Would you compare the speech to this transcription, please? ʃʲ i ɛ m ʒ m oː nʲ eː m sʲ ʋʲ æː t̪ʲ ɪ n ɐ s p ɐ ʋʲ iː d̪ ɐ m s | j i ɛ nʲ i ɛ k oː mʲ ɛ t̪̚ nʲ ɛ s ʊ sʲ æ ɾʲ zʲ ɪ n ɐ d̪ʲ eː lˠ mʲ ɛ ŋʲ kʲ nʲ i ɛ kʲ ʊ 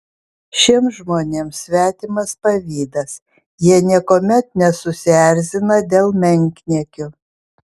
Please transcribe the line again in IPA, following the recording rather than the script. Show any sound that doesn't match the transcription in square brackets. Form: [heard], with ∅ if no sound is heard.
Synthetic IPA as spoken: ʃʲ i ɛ m ʒ m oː nʲ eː m sʲ ʋʲ æː t̪ʲ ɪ [m] ɐ s p ɐ ʋʲ iː d̪ ɐ [∅] s | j i ɛ nʲ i ɛ k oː mʲ ɛ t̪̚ nʲ ɛ s ʊ sʲ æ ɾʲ zʲ ɪ n ɐ d̪ʲ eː lˠ mʲ ɛ ŋʲ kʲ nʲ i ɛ kʲ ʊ